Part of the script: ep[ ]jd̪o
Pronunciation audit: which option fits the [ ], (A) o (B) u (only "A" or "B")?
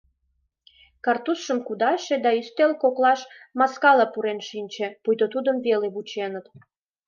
B